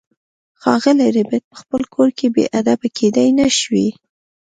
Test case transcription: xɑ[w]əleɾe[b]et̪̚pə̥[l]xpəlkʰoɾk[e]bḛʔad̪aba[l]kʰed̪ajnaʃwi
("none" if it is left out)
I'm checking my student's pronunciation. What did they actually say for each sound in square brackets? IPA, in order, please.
ɣ, b, none, e, none

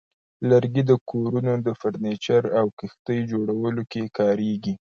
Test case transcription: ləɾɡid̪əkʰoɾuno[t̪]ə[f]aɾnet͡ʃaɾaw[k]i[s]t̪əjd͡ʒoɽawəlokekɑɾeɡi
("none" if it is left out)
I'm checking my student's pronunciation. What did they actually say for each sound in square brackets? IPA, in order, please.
d̪, f, k, x

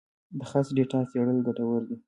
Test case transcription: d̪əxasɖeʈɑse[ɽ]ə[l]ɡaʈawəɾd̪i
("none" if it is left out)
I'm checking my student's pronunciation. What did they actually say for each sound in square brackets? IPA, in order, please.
ɽ, l

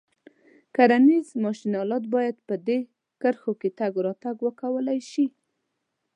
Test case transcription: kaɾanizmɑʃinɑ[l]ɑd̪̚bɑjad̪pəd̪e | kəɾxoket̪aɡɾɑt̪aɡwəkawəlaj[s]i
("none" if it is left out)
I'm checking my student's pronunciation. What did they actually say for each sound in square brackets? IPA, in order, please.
l, ʃ

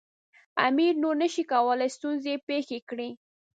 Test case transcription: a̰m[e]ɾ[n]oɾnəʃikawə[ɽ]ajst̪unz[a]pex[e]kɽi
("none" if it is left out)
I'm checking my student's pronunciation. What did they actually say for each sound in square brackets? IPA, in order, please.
i, n, l, e, e

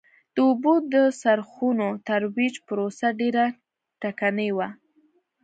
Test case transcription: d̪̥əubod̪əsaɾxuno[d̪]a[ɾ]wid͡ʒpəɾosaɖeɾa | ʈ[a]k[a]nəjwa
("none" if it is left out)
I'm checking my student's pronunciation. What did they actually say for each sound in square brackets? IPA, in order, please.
t̪, ɾ, a, a

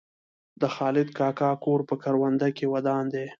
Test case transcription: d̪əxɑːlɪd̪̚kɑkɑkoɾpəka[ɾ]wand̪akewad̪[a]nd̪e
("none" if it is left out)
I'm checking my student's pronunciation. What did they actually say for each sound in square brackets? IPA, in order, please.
ɾ, ɑ

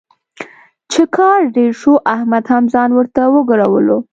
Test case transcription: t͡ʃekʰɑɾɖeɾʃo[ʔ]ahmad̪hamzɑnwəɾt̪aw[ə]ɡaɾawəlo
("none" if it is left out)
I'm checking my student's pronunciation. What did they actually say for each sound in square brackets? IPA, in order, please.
ʔ, ə

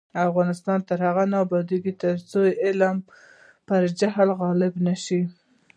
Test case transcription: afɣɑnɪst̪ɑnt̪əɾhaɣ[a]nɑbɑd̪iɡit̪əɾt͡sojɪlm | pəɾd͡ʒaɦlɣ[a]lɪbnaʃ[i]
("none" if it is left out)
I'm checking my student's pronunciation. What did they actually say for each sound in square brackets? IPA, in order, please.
a, ɑ, i

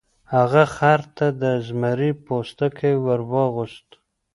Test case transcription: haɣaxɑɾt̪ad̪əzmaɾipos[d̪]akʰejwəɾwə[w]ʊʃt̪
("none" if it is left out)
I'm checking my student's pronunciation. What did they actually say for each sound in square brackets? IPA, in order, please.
t̪, ɣ

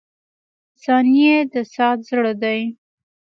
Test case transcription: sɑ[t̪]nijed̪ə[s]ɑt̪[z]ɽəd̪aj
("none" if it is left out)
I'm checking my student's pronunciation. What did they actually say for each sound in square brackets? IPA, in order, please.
none, s, z

